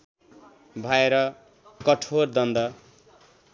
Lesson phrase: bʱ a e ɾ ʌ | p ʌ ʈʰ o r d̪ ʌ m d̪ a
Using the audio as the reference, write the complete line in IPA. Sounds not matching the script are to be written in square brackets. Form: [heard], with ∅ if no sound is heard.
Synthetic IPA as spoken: bʱ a e ɾ ʌ | [k] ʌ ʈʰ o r d̪ ʌ [n] d̪ [ʌ]